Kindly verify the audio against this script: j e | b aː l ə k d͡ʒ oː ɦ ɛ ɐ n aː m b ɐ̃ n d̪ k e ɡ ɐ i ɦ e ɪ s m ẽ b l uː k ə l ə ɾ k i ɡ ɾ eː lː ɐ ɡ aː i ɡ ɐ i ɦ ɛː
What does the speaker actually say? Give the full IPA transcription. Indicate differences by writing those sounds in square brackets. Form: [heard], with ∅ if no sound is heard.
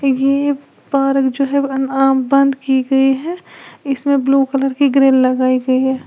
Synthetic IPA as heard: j e | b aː [ɾ] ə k d͡ʒ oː ɦ ɛ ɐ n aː m b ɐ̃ n d̪ k [i] ɡ ɐ i ɦ [ɛ] ɪ s m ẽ b l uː k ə l ə ɾ k i ɡ ɾ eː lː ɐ ɡ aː i ɡ ɐ i ɦ ɛː